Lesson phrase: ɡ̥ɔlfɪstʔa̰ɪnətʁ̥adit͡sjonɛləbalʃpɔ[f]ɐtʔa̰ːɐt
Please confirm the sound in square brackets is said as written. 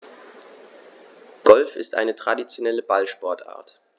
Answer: no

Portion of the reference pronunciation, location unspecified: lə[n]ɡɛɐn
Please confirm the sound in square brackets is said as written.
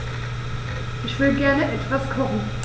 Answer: no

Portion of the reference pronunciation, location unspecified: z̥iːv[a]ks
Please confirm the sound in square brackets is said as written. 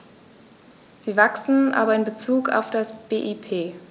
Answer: yes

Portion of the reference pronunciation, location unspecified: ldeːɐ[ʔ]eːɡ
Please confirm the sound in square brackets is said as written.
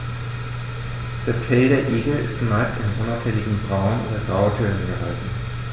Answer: yes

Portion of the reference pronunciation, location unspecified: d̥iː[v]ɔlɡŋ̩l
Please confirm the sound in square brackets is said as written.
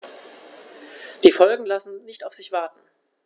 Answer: no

